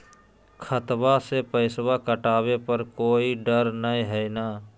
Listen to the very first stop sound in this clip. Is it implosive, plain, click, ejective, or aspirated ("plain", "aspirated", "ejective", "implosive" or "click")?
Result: aspirated